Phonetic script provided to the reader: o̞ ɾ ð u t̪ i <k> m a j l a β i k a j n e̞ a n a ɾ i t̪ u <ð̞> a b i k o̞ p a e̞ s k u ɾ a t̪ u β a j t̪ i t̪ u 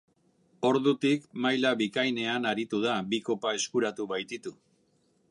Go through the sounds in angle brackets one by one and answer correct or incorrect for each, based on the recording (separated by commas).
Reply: correct, correct